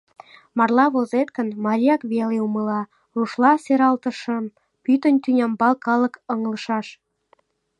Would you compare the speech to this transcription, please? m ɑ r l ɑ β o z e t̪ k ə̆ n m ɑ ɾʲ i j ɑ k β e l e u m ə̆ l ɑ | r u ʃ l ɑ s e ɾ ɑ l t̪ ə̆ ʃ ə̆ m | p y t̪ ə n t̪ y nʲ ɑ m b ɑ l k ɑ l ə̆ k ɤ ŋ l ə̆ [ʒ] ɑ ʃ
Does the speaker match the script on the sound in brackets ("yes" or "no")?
no